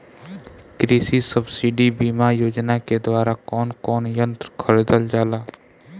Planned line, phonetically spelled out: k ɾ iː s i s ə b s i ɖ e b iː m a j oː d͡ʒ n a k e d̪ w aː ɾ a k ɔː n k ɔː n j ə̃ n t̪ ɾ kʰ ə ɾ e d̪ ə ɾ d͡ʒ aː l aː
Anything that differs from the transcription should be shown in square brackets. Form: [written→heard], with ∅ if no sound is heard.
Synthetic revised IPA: k ɾ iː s i s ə b s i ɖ [e→i] b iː m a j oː d͡ʒ n a k e d̪ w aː ɾ a k ɔː n k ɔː n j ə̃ n t̪ ɾ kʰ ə ɾ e d̪ ə [ɾ→l] d͡ʒ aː l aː